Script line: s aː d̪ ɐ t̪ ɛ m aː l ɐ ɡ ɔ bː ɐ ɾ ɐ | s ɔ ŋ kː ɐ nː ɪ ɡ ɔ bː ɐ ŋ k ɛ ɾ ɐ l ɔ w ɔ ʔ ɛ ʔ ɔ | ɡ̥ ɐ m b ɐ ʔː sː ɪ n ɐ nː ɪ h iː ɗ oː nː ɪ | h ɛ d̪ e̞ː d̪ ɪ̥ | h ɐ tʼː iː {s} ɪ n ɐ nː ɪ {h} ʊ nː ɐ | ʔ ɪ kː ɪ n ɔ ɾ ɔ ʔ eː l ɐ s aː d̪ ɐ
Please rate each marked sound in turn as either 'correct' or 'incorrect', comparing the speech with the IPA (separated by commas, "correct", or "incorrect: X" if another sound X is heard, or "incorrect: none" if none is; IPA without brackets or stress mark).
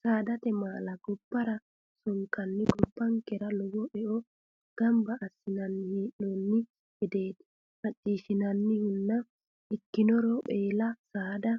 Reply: incorrect: ʃ, correct